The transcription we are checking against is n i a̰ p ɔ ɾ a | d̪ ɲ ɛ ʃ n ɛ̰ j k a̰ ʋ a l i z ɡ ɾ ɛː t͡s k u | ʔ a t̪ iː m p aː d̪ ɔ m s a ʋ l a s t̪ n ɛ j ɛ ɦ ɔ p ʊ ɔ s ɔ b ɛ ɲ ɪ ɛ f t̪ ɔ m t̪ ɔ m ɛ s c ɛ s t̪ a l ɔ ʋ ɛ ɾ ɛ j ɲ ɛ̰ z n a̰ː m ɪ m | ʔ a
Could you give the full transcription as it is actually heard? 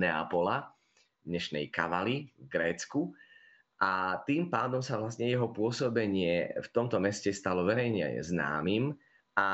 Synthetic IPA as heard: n ɛ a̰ p ɔ l a | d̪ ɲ ɛ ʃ n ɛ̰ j k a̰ ʋ a l i v ɡ ɾ ɛː t͡s k u | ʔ a t̪ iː m p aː d̪ ɔ m s a ʋ l a s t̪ ɲ ɛ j ɛ ɦ ɔ p ʊ ɔ s ɔ b ɛ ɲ ɪ ɛ f t̪ ɔ m t̪ ɔ m ɛ s c ɛ s t̪ a l ɔ ʋ ɛ ɾ ɛ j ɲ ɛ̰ z n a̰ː m i m | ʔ a